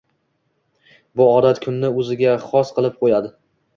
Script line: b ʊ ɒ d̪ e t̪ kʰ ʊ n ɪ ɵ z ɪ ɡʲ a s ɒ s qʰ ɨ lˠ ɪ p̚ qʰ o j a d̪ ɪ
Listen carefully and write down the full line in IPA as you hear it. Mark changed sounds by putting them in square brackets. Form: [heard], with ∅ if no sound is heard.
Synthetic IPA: b ʊ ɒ d̪ [a] t̪ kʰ ʊ [nː] ɪ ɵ z ɪ ɡʲ a [χ] ɒ s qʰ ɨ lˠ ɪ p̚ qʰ o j a d̪ ɪ